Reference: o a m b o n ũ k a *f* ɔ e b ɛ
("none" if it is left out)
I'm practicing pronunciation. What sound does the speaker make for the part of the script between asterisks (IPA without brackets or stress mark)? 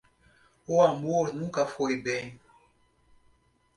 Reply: f